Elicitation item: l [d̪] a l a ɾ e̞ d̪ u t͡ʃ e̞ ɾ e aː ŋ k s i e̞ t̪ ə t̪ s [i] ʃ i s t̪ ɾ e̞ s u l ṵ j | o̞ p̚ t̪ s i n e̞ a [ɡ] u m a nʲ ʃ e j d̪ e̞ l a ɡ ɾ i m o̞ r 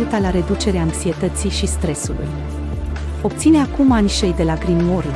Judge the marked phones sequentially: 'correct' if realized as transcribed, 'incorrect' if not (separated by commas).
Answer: incorrect, correct, incorrect